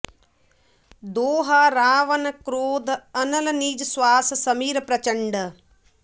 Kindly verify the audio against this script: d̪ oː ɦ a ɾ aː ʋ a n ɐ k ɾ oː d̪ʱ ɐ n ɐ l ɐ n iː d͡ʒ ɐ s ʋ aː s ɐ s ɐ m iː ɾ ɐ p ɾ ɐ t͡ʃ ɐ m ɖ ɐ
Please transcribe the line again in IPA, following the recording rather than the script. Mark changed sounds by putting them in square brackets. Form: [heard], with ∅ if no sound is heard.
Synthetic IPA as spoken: d̪ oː ɦ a ɾ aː ʋ [ɐ] n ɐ k ɾ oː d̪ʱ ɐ n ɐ l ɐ n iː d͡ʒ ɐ s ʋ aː s ɐ s ɐ m iː ɾ ɐ p ɾ ɐ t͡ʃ ɐ [ɳ] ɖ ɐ